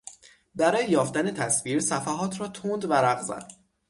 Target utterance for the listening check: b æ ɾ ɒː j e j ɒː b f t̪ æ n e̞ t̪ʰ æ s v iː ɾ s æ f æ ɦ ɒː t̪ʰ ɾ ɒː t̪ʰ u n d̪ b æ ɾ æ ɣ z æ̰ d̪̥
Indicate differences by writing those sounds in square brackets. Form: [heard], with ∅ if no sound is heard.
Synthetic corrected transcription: b æ ɾ ɒː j e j ɒː [∅] f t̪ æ n e̞ t̪ʰ æ s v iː ɾ s æ f æ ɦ ɒː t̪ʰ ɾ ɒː t̪ʰ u n d̪ [v] æ ɾ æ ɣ z æ̰ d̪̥